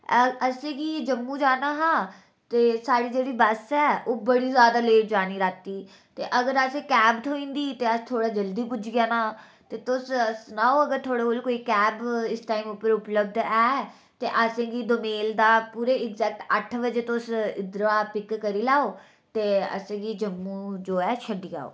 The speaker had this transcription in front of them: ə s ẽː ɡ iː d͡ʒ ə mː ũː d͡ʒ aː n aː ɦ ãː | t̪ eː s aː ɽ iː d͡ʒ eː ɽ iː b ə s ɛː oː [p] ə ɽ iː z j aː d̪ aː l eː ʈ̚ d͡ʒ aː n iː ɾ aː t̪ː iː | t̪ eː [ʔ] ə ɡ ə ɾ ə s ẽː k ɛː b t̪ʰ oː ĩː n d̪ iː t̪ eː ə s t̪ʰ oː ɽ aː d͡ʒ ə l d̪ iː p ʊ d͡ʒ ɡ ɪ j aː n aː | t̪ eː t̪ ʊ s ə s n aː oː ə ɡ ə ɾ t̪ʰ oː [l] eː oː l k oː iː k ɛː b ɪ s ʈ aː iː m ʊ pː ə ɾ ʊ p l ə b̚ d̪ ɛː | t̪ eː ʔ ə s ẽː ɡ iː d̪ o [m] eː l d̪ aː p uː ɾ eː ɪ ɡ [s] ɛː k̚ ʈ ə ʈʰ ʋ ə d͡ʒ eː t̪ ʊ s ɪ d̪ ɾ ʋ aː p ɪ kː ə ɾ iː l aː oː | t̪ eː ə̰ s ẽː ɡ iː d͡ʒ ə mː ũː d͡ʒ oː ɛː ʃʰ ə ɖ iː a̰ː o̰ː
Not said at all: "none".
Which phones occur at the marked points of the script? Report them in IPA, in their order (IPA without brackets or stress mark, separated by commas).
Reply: b, ʔ, ɽ, m, z